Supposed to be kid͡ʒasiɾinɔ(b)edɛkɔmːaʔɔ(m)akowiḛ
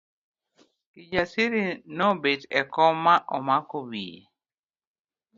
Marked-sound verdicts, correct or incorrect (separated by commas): correct, correct